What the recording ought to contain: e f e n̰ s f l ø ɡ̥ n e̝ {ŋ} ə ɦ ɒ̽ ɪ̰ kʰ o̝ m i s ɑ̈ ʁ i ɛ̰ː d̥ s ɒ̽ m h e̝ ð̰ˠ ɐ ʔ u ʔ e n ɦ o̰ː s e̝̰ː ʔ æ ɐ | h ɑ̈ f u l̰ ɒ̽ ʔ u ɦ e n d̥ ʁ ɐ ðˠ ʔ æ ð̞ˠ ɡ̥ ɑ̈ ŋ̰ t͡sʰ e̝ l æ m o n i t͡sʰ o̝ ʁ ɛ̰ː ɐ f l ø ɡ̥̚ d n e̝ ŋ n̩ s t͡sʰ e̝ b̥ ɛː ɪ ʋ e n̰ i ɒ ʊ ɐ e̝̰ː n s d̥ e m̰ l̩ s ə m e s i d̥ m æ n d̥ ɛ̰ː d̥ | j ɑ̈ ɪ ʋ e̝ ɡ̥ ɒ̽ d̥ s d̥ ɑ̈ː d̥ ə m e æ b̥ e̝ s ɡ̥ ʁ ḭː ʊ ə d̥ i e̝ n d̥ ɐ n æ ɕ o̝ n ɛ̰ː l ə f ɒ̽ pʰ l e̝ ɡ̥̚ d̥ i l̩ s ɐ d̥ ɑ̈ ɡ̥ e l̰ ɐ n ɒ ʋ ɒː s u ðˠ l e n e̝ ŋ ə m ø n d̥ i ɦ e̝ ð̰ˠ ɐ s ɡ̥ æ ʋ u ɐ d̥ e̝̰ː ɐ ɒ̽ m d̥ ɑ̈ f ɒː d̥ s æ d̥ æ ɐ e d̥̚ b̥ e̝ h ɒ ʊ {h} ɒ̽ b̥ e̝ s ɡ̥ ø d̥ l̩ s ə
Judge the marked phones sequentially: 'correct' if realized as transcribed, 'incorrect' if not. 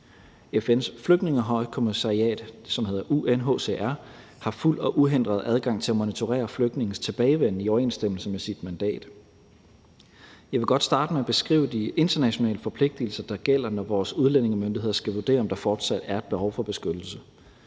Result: correct, incorrect

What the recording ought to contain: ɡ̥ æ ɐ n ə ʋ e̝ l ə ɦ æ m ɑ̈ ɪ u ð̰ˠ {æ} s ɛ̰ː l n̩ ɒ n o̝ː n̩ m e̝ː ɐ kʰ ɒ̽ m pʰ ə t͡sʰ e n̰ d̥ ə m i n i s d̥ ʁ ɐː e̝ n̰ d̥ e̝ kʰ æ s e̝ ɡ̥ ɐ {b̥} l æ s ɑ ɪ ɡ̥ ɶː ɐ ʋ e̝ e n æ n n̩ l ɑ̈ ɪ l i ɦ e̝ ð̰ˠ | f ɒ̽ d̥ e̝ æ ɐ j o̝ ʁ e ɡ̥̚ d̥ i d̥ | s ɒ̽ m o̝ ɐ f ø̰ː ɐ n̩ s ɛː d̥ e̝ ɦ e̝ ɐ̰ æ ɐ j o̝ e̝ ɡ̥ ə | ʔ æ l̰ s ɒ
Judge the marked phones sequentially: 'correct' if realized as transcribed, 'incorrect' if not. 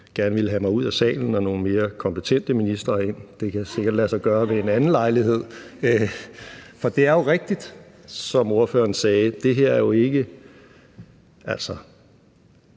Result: correct, incorrect

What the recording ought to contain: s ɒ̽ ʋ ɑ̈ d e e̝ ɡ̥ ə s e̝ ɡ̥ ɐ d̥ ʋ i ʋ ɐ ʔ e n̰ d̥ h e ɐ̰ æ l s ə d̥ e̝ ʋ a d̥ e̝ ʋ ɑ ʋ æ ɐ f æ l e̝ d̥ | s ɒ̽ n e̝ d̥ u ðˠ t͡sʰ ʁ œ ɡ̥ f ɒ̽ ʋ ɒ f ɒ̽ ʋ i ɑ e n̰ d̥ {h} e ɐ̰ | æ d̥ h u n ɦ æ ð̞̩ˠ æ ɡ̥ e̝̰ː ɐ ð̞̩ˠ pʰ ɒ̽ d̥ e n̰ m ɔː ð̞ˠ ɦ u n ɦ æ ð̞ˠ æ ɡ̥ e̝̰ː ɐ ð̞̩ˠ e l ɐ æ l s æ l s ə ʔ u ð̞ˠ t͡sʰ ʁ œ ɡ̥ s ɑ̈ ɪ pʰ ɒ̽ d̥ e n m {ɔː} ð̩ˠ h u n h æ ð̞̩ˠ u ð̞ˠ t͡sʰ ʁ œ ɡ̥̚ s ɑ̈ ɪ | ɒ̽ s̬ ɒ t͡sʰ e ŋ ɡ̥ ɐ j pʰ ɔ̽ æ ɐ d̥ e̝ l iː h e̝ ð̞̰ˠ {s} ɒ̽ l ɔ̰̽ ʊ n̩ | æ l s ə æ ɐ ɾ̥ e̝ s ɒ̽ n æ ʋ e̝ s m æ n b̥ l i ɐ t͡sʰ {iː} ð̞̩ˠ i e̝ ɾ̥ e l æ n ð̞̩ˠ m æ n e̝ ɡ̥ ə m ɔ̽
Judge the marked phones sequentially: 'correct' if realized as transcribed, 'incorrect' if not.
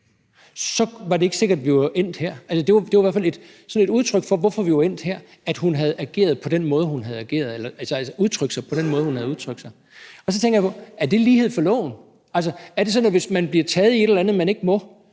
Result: correct, correct, incorrect, incorrect

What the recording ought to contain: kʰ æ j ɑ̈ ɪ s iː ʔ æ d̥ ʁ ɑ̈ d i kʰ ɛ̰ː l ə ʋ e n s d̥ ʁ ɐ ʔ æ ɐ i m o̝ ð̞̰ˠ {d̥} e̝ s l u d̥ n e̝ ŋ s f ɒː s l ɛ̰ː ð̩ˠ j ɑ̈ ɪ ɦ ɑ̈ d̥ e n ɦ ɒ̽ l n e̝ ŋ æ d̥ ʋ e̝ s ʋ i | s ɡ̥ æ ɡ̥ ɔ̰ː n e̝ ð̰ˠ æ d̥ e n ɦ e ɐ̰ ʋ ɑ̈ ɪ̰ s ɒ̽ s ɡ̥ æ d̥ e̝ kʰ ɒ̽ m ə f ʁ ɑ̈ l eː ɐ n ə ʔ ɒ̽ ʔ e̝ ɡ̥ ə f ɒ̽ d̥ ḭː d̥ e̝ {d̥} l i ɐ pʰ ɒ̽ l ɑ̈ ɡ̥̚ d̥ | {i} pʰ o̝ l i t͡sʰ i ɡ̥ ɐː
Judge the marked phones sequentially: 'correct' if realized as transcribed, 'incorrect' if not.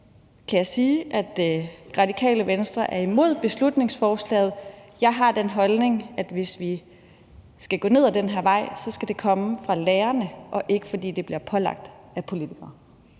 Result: incorrect, incorrect, incorrect

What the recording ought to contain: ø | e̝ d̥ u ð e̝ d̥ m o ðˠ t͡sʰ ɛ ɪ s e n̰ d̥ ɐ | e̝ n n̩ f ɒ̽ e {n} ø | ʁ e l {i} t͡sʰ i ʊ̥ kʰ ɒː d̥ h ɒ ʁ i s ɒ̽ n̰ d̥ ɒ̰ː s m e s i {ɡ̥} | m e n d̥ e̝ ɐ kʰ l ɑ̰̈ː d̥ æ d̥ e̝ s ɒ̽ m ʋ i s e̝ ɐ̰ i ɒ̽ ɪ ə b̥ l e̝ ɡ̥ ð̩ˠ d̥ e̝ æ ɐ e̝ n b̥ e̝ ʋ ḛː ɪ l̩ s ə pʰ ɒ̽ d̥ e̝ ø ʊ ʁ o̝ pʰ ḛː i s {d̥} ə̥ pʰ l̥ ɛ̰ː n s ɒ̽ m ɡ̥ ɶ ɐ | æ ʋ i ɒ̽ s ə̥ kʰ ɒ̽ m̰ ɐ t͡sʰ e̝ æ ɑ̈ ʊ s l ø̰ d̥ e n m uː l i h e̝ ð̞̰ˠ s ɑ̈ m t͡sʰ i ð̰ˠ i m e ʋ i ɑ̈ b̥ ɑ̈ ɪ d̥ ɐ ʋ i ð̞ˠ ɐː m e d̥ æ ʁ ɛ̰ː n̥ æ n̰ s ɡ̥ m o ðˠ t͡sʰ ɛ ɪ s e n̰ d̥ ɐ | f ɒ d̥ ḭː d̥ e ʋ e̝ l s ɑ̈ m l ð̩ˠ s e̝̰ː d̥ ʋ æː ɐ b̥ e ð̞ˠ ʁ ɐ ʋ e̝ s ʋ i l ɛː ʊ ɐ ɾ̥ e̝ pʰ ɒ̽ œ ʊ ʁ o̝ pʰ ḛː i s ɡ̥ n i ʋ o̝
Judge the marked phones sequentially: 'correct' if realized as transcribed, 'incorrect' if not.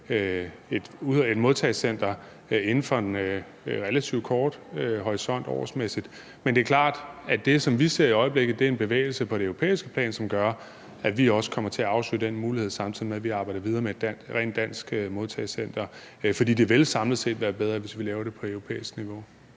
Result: correct, incorrect, incorrect, incorrect

